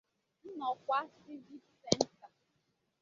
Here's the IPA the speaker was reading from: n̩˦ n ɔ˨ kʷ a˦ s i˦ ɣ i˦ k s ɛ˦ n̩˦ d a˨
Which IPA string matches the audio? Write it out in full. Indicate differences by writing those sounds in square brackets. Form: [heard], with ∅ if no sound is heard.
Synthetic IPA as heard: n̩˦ n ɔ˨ kʷ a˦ s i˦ [v] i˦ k s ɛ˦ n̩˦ [t] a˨